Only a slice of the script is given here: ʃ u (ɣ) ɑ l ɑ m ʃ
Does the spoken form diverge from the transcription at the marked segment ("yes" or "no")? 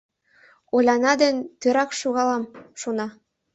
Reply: no